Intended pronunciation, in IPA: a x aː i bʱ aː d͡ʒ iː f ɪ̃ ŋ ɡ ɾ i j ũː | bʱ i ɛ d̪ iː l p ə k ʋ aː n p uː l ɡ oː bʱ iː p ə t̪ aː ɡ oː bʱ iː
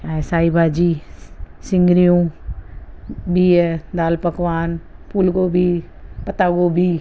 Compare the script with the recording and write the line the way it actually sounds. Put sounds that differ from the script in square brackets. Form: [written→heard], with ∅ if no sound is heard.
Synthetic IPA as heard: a [x→s] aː i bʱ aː d͡ʒ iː [f→s] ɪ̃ ŋ ɡ ɾ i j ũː | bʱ i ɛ d̪ [iː→aː] l p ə k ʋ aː n p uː l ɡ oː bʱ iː p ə t̪ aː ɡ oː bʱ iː